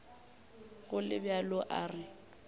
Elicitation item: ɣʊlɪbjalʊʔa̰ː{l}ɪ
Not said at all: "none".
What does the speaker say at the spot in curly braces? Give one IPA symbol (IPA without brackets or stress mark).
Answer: r